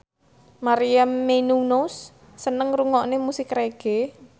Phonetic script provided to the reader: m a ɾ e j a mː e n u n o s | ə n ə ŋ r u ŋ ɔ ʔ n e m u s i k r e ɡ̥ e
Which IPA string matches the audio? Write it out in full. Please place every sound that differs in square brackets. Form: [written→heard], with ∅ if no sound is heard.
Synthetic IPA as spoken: m a ɾ [e→i] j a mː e n u n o [s→sː] | ə n ə ŋ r u ŋ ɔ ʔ n e m u s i k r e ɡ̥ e